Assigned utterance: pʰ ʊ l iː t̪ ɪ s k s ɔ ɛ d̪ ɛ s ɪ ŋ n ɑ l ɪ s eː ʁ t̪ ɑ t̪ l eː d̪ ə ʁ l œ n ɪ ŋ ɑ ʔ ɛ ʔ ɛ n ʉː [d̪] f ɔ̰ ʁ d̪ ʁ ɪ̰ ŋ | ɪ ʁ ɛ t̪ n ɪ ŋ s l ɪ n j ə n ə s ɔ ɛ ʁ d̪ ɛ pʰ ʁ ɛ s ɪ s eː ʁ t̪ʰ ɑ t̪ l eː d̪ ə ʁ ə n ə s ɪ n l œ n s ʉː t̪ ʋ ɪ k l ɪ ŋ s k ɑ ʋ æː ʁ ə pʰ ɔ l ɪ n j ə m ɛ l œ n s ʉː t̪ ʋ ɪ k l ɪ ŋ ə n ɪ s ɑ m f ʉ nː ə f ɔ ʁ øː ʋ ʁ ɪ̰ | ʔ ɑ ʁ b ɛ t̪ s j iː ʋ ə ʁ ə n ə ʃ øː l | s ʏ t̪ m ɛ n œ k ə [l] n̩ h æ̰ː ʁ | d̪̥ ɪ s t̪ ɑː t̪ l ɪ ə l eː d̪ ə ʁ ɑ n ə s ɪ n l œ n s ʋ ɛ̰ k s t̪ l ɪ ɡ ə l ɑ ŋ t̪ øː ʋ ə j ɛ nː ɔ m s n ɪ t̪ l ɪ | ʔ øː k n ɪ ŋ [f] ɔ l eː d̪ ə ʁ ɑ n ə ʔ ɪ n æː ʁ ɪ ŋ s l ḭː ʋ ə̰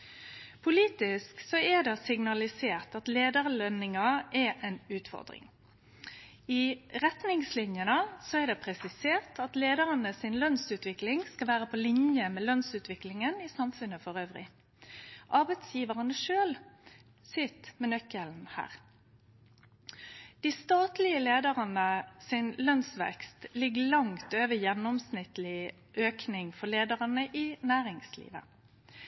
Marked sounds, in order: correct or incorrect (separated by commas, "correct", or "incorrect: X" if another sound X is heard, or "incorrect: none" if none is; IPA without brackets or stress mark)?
incorrect: t̪, correct, correct